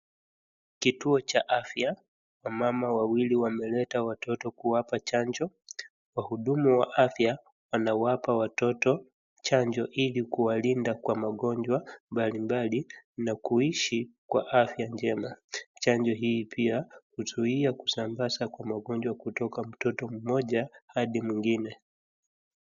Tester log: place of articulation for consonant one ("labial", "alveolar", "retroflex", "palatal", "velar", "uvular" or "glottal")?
velar